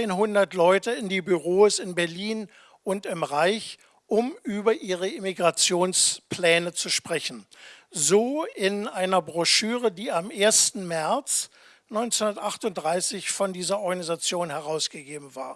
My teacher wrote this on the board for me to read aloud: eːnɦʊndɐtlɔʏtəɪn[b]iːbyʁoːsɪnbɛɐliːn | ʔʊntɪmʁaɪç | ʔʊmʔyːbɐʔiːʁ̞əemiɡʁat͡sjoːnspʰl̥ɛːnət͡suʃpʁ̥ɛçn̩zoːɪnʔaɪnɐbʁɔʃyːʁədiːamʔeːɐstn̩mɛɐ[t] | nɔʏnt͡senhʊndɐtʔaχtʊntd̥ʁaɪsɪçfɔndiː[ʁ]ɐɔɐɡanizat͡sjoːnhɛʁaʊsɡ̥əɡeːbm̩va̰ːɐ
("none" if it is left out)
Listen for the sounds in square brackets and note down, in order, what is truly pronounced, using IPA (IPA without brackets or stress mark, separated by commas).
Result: d, t͡s, z